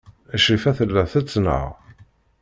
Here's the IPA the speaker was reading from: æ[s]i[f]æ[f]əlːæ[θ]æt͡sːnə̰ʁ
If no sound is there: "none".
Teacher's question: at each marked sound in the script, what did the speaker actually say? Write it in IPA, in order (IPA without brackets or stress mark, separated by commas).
ʃ, f, θ, θ